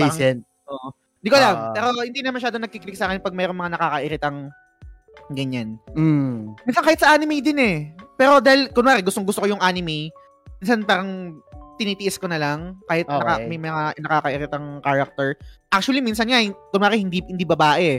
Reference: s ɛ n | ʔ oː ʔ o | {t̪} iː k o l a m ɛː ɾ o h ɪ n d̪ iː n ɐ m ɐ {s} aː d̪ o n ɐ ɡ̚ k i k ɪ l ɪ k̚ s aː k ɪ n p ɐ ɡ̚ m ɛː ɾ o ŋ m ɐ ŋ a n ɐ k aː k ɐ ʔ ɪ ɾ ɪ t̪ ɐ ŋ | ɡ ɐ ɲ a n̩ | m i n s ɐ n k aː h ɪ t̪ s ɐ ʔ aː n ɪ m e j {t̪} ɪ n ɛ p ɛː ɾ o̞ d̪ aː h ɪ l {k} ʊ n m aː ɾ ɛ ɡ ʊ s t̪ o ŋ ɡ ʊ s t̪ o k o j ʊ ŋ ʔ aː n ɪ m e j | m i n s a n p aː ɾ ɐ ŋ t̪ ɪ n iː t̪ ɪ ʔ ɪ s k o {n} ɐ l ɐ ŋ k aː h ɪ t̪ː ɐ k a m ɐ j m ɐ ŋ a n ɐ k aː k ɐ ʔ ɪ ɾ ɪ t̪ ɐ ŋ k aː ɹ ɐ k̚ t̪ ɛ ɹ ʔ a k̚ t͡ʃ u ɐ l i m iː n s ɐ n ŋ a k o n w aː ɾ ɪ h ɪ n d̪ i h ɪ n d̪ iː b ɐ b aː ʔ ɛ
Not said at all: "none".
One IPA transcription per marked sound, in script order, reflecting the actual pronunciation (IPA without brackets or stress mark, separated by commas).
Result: d̪, ʃ, d̪, k, n